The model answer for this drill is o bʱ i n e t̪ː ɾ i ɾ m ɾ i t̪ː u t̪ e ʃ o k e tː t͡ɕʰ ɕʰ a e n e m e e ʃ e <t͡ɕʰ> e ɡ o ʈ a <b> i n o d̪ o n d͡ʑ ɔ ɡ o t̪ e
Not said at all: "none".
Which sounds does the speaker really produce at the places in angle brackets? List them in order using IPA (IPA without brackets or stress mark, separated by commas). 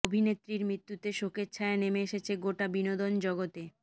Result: t͡ɕʰ, b